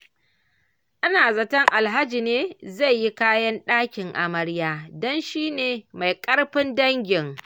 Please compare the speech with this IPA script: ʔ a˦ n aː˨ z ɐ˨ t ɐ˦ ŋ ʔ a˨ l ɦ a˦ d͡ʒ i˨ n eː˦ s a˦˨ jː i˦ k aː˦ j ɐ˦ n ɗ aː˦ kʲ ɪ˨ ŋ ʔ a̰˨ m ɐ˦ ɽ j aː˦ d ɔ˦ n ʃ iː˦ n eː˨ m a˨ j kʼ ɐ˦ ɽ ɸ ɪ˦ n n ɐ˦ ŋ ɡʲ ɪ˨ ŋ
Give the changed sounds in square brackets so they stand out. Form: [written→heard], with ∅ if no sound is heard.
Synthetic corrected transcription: ʔ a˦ n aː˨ z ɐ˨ t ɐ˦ ŋ ʔ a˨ l ɦ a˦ d͡ʒ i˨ n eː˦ [s→z] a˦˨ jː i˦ k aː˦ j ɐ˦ n ɗ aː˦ kʲ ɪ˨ ŋ ʔ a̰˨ m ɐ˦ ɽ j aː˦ d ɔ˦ n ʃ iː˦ n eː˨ m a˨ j kʼ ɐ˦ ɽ ɸ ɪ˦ n [n→d] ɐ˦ ŋ ɡʲ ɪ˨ ŋ